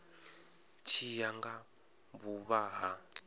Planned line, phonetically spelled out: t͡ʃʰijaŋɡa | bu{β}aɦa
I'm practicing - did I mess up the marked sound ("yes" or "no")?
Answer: no